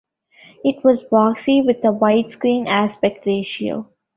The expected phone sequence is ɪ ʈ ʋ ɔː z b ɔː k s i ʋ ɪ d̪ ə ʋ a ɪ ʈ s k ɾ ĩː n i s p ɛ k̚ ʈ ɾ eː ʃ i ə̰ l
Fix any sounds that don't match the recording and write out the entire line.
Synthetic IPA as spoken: ɪ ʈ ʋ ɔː z b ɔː k s i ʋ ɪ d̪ ə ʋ a ɪ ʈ s k ɾ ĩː n æ s p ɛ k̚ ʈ ɾ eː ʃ i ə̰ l